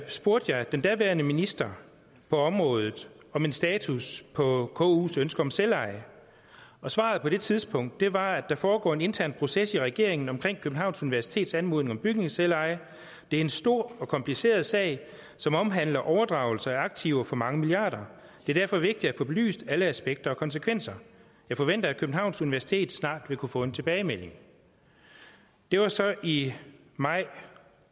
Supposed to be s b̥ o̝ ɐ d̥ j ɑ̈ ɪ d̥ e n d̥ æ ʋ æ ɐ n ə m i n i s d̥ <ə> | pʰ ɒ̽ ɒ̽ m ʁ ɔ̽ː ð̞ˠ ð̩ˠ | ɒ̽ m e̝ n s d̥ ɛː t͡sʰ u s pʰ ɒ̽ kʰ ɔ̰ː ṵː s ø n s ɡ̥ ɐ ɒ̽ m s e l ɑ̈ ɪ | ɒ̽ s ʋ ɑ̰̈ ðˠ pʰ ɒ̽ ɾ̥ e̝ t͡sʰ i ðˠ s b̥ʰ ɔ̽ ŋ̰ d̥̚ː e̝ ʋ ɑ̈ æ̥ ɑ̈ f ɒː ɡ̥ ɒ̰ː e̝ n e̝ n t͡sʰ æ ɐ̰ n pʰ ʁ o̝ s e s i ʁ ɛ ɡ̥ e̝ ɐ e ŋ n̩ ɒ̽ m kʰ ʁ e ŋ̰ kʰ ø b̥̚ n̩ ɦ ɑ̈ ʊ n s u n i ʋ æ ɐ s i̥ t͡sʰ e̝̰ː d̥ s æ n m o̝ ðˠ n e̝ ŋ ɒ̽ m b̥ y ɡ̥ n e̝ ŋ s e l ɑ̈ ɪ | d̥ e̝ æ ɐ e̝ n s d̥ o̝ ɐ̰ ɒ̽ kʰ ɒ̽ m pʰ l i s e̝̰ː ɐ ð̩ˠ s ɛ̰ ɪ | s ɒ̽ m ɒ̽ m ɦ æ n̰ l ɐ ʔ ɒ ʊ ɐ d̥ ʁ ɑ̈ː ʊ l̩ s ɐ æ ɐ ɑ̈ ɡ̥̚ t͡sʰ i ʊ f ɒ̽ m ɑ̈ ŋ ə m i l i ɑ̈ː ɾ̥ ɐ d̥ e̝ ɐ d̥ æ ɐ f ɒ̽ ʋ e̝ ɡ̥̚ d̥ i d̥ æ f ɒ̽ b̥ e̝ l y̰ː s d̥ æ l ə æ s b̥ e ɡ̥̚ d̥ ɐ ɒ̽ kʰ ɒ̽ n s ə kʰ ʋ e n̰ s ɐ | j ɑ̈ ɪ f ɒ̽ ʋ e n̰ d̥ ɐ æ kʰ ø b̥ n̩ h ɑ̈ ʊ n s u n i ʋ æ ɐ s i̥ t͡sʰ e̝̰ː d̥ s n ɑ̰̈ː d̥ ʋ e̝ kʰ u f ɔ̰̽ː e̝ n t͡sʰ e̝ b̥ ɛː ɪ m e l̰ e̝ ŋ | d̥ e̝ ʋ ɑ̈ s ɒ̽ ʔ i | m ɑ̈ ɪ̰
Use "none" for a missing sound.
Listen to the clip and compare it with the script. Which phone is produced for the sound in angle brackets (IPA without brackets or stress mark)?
ɐ